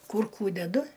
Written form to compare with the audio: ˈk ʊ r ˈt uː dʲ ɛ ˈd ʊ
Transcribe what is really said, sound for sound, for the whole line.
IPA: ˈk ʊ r ˈk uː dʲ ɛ ˈd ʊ